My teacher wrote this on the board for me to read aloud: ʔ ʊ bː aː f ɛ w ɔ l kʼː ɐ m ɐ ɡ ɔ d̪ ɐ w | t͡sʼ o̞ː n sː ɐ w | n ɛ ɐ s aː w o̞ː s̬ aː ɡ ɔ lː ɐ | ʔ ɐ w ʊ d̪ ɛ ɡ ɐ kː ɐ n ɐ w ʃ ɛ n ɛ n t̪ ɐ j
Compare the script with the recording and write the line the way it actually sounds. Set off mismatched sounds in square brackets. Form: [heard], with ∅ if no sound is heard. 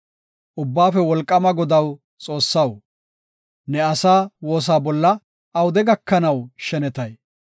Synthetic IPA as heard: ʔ ʊ bː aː f ɛ w ɔ l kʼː ɐ m ɐ ɡ ɔ d̪ ɐ w | t͡sʼ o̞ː [∅] sː ɐ w | n ɛ ɐ s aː w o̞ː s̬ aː [b] ɔ lː ɐ | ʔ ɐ w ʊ d̪ ɛ ɡ ɐ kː ɐ n ɐ w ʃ ɛ n ɛ [∅] t̪ ɐ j